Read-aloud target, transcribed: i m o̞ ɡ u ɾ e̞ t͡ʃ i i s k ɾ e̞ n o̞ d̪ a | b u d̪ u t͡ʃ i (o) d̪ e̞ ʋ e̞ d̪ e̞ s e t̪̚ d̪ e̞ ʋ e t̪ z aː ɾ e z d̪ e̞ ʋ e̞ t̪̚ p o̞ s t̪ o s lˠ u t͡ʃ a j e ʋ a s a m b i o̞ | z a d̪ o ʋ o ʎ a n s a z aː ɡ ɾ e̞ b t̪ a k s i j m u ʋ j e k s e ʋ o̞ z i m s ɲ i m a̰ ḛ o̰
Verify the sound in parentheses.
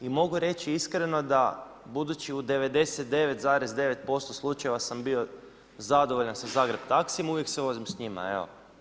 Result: incorrect: u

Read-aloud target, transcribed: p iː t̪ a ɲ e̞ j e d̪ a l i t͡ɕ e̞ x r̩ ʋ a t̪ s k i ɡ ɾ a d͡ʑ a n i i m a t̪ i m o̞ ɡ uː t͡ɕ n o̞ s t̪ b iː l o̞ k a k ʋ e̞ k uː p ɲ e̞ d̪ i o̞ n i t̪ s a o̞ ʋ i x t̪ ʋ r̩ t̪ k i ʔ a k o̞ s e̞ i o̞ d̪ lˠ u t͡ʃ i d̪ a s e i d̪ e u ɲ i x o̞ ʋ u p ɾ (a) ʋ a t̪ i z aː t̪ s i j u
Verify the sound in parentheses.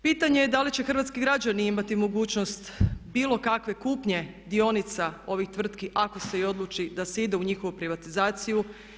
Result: incorrect: i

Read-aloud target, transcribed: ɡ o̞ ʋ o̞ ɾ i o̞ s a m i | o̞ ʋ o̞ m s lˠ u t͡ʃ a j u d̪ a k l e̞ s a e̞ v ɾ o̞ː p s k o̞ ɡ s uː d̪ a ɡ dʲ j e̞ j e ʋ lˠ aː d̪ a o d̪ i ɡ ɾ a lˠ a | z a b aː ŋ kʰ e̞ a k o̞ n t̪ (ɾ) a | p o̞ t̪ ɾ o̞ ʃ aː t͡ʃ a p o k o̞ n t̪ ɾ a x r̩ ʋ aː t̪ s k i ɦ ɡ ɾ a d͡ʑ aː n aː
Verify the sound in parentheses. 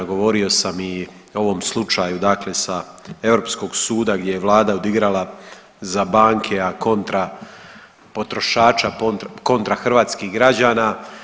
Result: correct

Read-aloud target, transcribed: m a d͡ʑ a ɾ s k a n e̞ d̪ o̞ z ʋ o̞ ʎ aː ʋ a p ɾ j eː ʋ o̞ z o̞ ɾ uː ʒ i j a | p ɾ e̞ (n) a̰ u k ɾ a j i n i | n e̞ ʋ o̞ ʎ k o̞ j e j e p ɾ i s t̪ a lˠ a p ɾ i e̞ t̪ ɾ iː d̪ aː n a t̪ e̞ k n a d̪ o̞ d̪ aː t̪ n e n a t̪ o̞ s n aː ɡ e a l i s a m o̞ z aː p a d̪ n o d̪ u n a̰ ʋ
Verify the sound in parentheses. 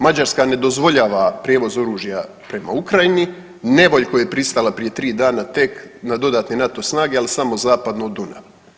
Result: incorrect: m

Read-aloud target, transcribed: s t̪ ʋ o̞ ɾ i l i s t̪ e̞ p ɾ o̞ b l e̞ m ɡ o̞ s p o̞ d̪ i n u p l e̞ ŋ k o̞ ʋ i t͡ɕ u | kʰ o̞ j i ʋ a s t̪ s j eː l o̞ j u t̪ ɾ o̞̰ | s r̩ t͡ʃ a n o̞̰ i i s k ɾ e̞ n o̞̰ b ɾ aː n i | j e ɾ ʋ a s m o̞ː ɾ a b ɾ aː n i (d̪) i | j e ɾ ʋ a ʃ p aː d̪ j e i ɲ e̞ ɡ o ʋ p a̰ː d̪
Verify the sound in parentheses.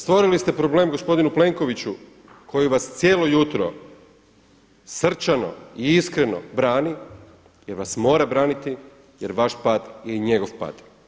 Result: incorrect: t̪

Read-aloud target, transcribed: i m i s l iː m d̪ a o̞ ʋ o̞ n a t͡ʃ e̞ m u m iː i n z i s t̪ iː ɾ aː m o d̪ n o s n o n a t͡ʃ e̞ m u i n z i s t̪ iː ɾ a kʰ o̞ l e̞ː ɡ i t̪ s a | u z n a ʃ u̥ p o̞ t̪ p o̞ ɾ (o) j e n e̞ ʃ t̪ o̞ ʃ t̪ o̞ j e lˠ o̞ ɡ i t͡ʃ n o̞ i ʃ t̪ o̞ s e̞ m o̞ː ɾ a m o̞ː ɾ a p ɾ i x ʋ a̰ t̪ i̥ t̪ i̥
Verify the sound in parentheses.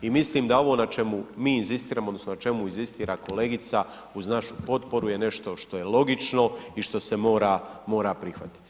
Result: incorrect: u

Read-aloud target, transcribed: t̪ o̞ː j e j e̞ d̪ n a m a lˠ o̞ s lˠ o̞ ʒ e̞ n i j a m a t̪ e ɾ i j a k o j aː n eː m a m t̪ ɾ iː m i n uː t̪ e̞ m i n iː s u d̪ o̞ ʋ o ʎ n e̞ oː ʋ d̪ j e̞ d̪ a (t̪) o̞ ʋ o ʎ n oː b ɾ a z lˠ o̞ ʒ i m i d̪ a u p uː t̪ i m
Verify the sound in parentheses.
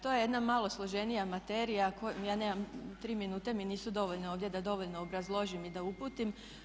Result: incorrect: d̪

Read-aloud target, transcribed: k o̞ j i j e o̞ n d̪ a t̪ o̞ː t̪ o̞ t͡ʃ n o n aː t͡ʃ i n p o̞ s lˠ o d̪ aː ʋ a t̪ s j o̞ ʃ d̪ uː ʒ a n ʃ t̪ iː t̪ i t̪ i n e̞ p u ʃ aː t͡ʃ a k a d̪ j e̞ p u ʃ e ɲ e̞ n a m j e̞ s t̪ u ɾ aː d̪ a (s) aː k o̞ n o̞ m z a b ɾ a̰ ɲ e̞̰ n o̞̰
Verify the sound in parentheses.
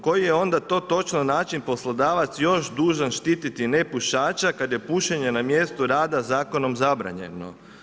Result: incorrect: z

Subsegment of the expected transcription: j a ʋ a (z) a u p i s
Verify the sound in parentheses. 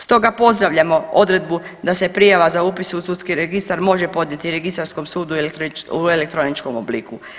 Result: correct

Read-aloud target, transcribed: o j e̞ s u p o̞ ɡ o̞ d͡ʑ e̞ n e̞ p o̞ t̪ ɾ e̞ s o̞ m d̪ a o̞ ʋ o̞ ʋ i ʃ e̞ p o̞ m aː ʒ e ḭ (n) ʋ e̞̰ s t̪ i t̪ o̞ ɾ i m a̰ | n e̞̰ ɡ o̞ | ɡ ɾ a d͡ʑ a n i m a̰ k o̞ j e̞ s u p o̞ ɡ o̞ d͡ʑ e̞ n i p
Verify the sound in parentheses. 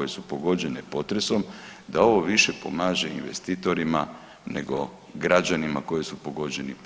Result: correct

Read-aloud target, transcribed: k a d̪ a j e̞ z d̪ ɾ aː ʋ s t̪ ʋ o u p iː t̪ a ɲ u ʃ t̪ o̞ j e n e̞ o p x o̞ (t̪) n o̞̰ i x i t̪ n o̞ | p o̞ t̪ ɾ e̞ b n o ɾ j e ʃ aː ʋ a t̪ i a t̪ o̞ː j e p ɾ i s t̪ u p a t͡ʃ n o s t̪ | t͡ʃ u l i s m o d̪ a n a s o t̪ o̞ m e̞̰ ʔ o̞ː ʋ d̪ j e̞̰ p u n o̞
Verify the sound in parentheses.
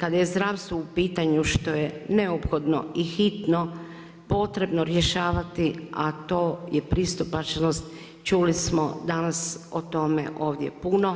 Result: incorrect: d̪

